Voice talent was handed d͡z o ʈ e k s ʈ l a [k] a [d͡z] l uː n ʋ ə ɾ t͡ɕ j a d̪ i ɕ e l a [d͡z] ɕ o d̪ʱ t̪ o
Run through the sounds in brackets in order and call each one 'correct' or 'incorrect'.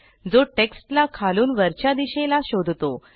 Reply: incorrect: kʰ, incorrect: none, incorrect: none

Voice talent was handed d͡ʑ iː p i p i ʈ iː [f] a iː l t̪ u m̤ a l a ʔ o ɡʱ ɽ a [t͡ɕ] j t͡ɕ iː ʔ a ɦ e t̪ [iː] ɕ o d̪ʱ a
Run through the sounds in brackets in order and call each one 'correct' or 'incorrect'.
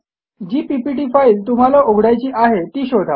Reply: correct, incorrect: none, correct

